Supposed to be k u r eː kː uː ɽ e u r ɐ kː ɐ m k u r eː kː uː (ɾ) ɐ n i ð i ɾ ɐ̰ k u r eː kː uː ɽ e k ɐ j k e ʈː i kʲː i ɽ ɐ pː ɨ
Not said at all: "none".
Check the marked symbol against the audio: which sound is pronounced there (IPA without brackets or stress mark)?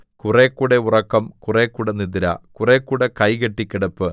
ɽ